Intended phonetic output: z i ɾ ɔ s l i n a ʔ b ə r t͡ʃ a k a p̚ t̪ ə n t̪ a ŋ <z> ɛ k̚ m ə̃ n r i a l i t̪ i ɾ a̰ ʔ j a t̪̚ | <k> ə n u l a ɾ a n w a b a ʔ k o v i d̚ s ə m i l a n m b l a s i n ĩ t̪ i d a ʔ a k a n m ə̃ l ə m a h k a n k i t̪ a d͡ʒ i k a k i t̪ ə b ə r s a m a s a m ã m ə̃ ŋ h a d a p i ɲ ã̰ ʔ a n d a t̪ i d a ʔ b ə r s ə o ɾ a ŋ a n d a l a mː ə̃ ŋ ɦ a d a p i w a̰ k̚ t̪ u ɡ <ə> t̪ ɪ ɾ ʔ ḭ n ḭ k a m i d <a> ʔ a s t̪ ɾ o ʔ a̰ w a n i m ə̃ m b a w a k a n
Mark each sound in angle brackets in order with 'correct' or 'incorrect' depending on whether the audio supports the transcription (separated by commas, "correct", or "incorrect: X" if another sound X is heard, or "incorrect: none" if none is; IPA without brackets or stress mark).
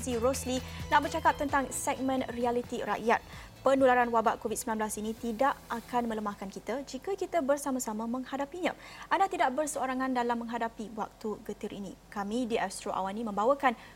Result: incorrect: s, incorrect: p, correct, incorrect: i